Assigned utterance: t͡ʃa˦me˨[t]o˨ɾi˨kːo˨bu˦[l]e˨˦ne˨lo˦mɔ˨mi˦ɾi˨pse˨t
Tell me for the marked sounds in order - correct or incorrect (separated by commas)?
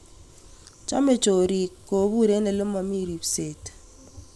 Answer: incorrect, incorrect